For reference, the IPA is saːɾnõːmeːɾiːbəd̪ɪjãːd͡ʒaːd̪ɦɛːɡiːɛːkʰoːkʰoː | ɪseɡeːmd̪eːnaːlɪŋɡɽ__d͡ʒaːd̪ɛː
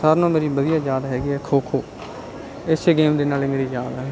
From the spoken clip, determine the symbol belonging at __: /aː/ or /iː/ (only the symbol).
iː